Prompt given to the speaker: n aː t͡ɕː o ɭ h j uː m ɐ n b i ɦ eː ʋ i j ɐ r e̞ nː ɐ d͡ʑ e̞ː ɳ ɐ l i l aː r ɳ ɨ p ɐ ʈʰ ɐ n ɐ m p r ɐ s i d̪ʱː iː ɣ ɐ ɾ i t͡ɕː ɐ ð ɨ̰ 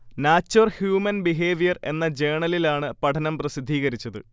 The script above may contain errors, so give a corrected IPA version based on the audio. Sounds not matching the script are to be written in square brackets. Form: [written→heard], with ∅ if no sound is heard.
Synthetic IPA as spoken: n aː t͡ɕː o [ɭ→r] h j uː m ɐ n b i ɦ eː ʋ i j ɐ r e̞ nː ɐ d͡ʑ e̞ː ɳ ɐ l i l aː [r→∅] ɳ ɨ p ɐ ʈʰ ɐ n ɐ m p r ɐ s i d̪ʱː iː ɣ ɐ ɾ i t͡ɕː ɐ ð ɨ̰